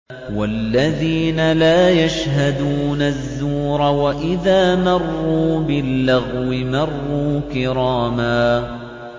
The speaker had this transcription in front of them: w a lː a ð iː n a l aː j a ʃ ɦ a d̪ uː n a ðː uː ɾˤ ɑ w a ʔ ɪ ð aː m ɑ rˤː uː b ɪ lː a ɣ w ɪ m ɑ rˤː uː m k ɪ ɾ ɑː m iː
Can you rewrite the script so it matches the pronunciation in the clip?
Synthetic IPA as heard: w a lː a ð iː n a l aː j a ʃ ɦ a d̪ uː n a ðː uː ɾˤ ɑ w a ʔ ɪ ð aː m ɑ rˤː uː b ɪ lː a ɣ w ɪ m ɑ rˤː uː k ɪ ɾ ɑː m aː